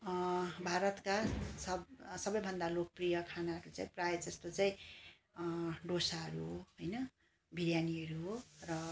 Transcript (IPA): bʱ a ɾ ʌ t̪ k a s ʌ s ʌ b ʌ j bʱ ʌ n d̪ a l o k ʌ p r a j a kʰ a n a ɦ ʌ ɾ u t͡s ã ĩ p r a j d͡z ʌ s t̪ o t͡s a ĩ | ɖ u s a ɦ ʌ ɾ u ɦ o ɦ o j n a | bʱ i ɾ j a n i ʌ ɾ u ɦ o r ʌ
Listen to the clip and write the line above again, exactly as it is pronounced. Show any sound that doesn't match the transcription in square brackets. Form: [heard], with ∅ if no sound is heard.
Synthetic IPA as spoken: bʱ a ɾ ʌ t̪ k a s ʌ s ʌ b ʌ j bʱ ʌ n d̪ a l o k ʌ p r [i] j [ʌ] kʰ a n a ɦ ʌ ɾ u t͡s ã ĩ p r a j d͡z ʌ s t̪ o t͡s a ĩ | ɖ [o] s a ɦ ʌ ɾ u ɦ o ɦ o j n [ʌ] | bʱ i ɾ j a n i ʌ ɾ u ɦ o r ʌ